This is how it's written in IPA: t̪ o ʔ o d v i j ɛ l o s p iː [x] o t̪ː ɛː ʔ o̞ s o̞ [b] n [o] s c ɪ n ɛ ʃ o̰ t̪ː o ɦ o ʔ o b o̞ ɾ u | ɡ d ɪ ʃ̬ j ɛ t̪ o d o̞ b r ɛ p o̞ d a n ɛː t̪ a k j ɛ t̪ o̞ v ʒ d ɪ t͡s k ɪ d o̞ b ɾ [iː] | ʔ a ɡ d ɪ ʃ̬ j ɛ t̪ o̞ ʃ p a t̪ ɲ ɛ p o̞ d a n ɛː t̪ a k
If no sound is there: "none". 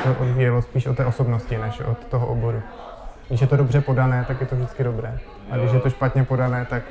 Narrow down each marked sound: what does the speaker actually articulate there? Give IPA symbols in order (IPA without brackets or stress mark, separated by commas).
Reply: ʃ, b, o, ɛː